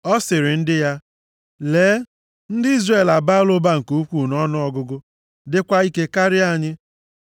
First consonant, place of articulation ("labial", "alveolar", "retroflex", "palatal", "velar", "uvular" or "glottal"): alveolar